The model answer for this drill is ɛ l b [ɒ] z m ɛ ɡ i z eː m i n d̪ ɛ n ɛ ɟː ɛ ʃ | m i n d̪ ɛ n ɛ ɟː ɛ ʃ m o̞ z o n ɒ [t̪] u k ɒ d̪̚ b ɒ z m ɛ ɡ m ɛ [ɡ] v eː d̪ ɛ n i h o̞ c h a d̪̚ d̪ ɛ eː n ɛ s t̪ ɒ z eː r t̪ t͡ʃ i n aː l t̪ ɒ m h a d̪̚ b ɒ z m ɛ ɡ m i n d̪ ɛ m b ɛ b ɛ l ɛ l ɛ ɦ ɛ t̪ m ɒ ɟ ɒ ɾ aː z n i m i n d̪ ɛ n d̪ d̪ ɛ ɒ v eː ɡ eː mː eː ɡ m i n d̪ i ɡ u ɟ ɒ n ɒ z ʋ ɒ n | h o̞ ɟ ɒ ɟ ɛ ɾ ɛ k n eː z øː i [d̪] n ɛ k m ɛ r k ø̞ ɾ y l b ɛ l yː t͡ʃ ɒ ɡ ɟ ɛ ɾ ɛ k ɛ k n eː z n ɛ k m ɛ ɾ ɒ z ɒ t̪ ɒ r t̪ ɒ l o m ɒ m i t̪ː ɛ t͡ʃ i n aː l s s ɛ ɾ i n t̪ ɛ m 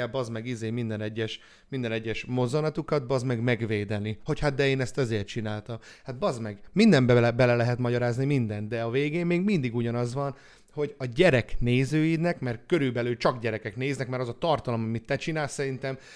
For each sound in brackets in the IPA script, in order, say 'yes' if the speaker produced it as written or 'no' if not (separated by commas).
yes, yes, yes, yes